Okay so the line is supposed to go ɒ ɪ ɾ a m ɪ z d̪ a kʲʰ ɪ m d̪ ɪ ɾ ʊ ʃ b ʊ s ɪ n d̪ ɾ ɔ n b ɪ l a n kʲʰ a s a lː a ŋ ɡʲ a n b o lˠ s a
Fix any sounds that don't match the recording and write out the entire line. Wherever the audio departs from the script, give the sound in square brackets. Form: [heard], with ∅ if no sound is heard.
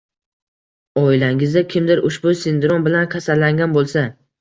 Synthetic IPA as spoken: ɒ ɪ [l] a [ŋ] ɪ z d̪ a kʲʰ ɪ m d̪ ɪ ɾ ʊ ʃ b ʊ s ɪ n d̪ ɾ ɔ n b ɪ l a n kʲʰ a s a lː a ŋ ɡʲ a n b o lˠ s a